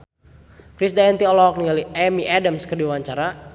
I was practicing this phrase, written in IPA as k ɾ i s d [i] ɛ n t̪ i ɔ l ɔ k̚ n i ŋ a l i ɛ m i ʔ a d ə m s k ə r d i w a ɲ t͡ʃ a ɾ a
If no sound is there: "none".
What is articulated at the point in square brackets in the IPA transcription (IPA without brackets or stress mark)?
a